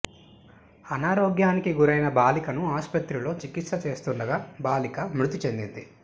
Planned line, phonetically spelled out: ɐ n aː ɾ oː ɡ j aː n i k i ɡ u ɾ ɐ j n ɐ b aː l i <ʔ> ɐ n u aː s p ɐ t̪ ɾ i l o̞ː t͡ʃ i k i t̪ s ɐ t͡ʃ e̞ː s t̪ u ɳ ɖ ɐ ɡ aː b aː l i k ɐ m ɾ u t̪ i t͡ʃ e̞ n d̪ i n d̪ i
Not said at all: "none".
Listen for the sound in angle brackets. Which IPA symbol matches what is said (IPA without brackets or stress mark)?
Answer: k